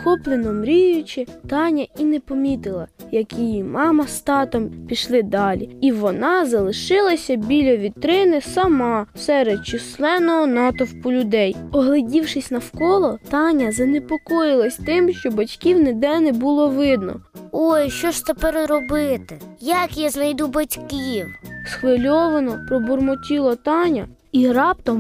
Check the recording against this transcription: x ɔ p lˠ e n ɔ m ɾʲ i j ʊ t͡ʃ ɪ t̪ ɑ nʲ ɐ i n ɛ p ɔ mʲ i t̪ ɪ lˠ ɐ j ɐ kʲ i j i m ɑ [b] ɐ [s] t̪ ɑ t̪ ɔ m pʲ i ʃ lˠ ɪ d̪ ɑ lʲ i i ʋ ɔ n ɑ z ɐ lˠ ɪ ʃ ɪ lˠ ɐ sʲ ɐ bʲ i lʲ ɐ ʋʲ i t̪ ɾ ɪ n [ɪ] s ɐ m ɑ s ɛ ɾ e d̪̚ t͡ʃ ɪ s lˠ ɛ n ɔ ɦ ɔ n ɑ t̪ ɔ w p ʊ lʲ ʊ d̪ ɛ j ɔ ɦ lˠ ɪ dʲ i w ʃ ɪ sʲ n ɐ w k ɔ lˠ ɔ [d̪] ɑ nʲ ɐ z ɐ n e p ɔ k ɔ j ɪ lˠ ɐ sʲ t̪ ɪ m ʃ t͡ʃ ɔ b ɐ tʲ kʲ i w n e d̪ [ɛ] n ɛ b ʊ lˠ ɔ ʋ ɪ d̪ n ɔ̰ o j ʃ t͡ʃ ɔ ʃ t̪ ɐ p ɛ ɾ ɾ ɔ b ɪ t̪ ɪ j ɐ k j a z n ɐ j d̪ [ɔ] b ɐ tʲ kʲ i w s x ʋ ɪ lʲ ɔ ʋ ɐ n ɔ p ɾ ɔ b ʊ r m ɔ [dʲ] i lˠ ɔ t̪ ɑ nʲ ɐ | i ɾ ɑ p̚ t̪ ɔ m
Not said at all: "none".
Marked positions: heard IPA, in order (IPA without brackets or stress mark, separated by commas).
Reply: m, s, ɪ, t̪, ɛ, u, tʲ